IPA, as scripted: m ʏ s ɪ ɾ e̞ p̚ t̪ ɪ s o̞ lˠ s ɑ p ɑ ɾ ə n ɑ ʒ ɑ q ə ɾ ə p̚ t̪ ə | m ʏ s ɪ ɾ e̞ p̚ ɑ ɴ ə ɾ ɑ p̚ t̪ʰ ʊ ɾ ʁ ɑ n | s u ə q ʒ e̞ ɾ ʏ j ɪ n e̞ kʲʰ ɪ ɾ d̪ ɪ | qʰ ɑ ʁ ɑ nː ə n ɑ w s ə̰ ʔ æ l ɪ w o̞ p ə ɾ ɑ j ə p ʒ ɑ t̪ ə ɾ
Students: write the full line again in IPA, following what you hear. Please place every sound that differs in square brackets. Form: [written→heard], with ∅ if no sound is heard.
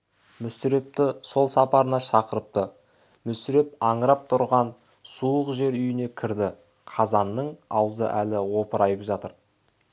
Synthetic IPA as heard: m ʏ s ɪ ɾ e̞ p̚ t̪ ɪ s o̞ lˠ s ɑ p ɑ ɾ ə n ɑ [ʒ→ʃ] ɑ q ə ɾ ə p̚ t̪ ə | m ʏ s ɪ ɾ e̞ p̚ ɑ ɴ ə ɾ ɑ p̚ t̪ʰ ʊ ɾ ʁ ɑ n | s u ə q ʒ e̞ ɾ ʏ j ɪ n e̞ kʲʰ ɪ ɾ d̪ ɪ | qʰ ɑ [ʁ→z] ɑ nː ə [n→ɴ] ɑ w [s→z] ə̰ ʔ æ l ɪ w o̞ p ə ɾ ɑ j ə p ʒ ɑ t̪ ə ɾ